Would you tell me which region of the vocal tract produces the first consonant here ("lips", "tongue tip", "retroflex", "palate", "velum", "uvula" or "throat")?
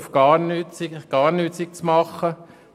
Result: lips